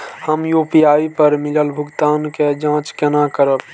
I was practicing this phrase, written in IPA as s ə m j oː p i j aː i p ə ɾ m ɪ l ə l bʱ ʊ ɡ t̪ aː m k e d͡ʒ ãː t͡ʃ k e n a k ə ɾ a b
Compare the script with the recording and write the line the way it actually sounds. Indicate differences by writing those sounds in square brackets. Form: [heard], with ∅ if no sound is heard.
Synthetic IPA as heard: [h] ə m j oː p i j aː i p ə ɾ m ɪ l ə l bʱ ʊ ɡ t̪ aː [n] k e d͡ʒ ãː t͡ʃ k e n a k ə ɾ [ə] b